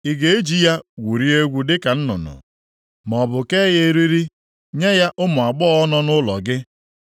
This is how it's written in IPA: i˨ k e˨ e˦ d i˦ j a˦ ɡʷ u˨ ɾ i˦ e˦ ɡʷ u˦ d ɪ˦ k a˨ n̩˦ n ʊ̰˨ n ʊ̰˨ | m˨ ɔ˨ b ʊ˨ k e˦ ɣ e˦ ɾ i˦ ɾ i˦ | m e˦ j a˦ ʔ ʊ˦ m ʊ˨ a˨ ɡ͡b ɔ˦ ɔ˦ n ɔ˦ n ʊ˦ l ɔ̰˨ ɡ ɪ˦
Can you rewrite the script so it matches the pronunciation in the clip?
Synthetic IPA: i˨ ɡ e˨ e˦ d͡ʒ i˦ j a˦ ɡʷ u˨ ɾ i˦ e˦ ɡʷ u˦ d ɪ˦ k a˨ n̩˦ n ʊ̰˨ n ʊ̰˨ | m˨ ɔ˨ b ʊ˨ k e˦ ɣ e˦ ɾ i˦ ɾ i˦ | ɲ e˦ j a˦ ʔ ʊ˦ m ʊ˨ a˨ ɡ͡b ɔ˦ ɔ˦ n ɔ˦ n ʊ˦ l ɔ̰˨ ɡ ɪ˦